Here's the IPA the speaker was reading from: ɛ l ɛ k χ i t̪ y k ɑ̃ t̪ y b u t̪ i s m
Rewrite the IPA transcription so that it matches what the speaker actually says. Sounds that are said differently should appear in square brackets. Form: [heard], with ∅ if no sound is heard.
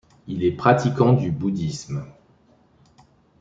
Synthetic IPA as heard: [i] l ɛ [p] χ [a] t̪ [i] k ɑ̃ [d̪] y b u [d̪] i s m

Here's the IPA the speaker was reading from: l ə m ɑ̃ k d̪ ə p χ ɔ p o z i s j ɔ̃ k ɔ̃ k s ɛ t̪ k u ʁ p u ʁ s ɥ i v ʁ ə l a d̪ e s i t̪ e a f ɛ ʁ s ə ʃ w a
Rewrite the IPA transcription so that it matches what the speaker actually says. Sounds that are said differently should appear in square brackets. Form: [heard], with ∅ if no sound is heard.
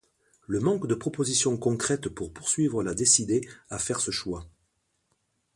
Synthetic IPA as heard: l ə m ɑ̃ k d̪ ə p χ ɔ p o z i s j ɔ̃ k ɔ̃ k [χ] ɛ t̪ [p] u ʁ p u ʁ s ɥ i v ʁ ə l a d̪ e s i [d̪] e a f ɛ ʁ s ə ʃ w a

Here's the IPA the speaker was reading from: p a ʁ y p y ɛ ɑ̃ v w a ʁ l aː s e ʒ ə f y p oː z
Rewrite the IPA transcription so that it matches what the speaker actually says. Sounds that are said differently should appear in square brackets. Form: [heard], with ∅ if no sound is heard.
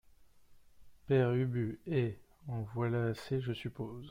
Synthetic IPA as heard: p [ɛ] ʁ y [b] y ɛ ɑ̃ v w a [∅] l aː s e ʒ ə [s] y p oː z

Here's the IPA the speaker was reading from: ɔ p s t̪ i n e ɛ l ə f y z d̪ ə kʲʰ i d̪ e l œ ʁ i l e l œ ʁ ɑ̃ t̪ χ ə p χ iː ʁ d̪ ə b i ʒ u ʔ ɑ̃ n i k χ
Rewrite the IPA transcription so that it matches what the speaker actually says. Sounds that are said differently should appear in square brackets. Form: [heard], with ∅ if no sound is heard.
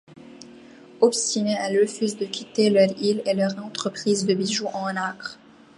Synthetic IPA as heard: ɔ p s t̪ i n e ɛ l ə f y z d̪ ə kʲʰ i [t̪] e l œ ʁ i l e l œ ʁ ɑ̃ t̪ χ ə p χ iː [z] d̪ ə b i ʒ u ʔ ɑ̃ n [a] k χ

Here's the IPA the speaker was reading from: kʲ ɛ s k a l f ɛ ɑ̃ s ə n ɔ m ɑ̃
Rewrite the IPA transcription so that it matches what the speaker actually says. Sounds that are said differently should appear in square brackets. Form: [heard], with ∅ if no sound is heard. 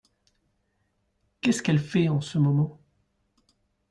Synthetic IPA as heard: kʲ ɛ s k [ɛ] l f ɛ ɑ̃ s ə [m] ɔ m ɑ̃

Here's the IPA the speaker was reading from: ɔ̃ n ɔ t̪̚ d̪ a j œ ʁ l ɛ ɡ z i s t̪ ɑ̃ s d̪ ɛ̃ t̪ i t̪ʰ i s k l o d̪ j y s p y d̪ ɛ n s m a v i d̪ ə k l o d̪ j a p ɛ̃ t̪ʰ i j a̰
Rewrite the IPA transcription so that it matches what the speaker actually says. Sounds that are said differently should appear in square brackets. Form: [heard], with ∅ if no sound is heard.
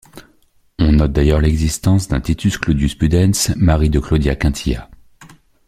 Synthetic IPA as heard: ɔ̃ n ɔ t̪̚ d̪ a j œ ʁ l ɛ ɡ z i s t̪ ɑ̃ s d̪ ɛ̃ t̪ i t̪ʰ [y] s k l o d̪ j y s p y d̪ ɛ n s m a [ʁ] i d̪ ə k l o d̪ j a [k] ɛ̃ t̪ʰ i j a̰

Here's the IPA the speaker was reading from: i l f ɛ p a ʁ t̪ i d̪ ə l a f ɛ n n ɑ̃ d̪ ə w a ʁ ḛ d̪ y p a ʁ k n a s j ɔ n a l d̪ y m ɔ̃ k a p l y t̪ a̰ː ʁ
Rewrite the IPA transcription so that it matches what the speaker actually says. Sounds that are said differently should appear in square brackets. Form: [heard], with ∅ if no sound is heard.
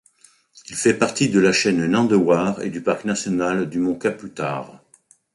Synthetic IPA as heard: i l f ɛ p a ʁ t̪ i d̪ ə l a [ʃ] ɛ n n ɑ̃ d̪ ə w a ʁ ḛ d̪ y p a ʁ k n a s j ɔ n a l d̪ y m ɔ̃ k a p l y t̪ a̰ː ʁ

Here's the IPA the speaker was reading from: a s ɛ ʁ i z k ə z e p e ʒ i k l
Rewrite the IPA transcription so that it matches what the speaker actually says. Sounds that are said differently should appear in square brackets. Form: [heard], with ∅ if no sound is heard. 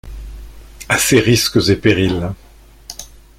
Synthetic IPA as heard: a s [e] ʁ i [s] k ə z e p e [ʁ] i [∅] l

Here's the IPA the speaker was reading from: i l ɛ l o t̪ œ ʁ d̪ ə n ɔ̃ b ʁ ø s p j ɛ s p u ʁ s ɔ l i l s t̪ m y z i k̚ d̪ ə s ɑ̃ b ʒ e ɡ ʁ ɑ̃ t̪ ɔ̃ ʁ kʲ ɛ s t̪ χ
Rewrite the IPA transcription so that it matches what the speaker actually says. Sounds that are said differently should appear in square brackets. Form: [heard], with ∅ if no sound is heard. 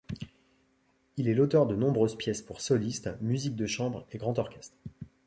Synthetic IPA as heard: i l ɛ l o t̪ œ ʁ d̪ ə n ɔ̃ b ʁ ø [z] p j ɛ s p u ʁ s ɔ l i [∅] s t̪ m y z i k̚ d̪ ə [ʃ] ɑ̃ b [ʁ] e ɡ ʁ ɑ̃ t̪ [ɔ] ʁ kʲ ɛ s t̪ χ

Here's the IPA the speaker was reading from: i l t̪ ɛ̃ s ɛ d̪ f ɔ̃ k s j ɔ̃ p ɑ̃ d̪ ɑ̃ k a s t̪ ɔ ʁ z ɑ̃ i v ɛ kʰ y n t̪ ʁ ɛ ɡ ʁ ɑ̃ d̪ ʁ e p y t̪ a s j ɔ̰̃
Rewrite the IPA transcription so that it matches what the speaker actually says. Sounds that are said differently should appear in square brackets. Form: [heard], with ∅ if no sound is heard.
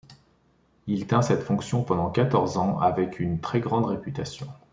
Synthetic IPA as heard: i l t̪ ɛ̃ s ɛ [t̪] f ɔ̃ k s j ɔ̃ p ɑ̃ d̪ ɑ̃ k a [∅] t̪ ɔ ʁ z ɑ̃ [a] v ɛ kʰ y n t̪ [χ] ɛ ɡ ʁ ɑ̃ d̪ ʁ e p y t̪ a s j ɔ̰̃

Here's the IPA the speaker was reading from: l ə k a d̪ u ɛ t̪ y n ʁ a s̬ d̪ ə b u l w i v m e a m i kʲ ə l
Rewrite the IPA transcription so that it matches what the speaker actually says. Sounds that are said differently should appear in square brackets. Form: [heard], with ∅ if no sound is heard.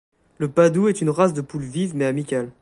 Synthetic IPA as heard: l ə [p] a d̪ u ɛ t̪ y n ʁ a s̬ d̪ ə [p] u l [v] i v m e a m i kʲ [a] l

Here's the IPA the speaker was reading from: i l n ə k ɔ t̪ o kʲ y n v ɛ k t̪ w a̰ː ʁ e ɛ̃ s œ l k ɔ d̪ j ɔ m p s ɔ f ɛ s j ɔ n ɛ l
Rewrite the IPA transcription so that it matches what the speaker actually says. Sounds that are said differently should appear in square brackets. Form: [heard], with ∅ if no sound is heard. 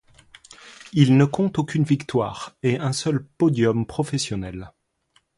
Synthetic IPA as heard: i l n ə k [ɔ̃] t̪ o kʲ y n v [i] k t̪ w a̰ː ʁ e ɛ̃ s œ l [p] ɔ d̪ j ɔ m p [χ] ɔ f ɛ s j ɔ n ɛ l

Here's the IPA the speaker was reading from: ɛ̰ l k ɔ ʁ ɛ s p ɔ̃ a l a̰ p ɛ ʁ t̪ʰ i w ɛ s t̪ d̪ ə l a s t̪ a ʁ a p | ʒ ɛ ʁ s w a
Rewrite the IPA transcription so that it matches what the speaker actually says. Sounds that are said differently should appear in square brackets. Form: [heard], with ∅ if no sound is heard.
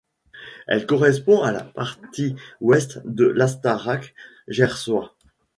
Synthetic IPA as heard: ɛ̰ l k ɔ ʁ ɛ s p ɔ̃ a l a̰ p [a] ʁ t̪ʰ i w ɛ s t̪ d̪ ə l a s t̪ a ʁ a [k] | ʒ ɛ ʁ s w a

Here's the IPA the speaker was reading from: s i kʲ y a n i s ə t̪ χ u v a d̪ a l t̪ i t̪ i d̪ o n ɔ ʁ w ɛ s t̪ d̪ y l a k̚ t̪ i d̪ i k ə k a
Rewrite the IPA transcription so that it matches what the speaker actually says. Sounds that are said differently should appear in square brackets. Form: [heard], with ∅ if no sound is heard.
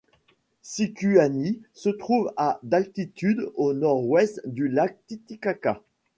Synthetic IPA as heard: s i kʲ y a n i s ə t̪ χ u v a d̪ a l t̪ i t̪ [y] d̪ o n ɔ ʁ w ɛ s t̪ d̪ y l a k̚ t̪ i [t̪] i k [a] k a

